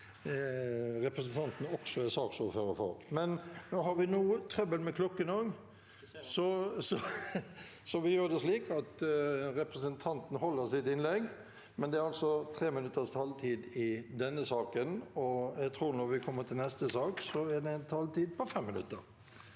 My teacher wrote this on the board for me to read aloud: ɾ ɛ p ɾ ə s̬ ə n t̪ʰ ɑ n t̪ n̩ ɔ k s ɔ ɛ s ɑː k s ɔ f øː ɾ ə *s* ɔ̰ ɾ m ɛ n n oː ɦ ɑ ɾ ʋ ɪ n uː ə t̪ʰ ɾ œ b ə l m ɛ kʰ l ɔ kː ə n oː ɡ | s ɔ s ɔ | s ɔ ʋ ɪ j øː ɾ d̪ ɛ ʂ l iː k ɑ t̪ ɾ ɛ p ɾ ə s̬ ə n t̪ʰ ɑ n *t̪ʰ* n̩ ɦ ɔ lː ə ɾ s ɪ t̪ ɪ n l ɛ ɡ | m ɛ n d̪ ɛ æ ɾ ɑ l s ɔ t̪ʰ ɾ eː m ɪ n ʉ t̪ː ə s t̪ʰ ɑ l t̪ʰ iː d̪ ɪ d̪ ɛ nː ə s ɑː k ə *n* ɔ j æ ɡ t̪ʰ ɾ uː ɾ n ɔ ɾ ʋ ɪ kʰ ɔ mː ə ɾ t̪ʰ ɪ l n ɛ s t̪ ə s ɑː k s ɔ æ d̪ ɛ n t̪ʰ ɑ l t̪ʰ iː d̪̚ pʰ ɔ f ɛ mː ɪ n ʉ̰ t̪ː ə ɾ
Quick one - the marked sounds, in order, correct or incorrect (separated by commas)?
incorrect, incorrect, correct